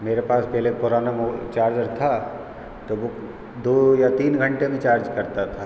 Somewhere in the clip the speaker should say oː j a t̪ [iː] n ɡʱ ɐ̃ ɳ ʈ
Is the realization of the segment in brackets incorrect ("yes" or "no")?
no